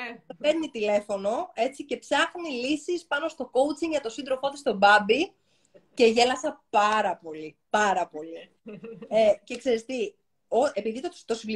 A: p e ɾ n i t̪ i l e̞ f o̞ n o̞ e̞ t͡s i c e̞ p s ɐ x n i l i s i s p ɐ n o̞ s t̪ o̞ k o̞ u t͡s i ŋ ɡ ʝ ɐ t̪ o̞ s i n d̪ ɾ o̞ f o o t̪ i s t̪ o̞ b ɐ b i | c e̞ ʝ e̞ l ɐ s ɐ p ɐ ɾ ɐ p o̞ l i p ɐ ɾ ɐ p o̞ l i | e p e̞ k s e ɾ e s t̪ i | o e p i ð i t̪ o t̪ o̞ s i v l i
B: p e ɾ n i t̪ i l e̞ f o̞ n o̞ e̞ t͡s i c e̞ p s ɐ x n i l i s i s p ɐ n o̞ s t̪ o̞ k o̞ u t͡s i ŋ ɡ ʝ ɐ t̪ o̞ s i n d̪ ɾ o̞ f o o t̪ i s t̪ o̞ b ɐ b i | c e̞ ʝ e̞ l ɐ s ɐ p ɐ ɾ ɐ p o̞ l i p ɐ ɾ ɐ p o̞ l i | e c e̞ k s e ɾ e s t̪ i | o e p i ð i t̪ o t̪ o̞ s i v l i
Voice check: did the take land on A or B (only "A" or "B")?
B